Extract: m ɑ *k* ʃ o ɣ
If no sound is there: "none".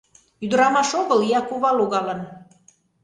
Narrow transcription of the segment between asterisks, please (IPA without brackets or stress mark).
none